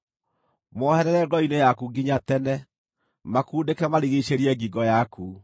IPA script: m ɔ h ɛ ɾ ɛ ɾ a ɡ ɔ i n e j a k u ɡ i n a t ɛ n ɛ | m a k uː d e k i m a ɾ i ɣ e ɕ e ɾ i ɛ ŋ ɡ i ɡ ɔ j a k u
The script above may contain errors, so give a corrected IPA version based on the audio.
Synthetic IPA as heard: m ɔ h ɛ ɾ ɛ ɾ ɛ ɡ ɔ i n e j a k u ɡ i ɲ a t ɛ n ɛ | m a k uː d e k ɛ m a ɾ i ɣ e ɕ e ɾ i ɛ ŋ ɡ i ɡ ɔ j a k u